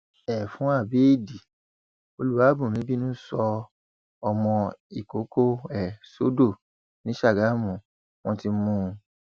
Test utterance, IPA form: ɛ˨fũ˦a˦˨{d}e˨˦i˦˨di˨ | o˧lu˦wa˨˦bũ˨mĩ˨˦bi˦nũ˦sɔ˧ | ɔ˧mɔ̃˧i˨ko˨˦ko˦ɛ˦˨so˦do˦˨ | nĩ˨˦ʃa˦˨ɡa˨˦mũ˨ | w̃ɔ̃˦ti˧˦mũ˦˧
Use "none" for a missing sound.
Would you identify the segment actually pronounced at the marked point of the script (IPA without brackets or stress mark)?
b